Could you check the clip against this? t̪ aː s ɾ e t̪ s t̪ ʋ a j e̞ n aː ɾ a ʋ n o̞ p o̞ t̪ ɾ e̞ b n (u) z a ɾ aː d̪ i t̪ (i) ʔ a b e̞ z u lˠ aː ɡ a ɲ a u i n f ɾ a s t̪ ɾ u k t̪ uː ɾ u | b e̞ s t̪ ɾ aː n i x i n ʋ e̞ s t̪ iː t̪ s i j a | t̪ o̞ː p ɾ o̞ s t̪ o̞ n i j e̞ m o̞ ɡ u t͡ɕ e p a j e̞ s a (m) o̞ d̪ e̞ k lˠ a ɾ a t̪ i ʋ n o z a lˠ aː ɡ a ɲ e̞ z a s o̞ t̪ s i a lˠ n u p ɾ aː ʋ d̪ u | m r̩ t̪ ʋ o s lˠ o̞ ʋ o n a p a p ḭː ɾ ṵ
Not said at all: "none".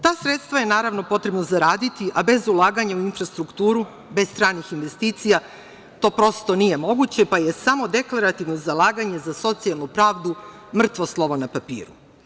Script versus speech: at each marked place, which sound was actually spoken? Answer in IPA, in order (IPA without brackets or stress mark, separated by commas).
o, i, m